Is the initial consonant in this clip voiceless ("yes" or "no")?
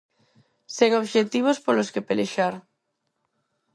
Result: yes